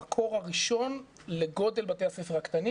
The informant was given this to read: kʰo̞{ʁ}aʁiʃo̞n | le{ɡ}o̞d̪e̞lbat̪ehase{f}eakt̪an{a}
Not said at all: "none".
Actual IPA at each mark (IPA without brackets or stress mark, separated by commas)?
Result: ʁ, ɡ, f, i